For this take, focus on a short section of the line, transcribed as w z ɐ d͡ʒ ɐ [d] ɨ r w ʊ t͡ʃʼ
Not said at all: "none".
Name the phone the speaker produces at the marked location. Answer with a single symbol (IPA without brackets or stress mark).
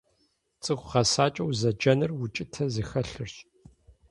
n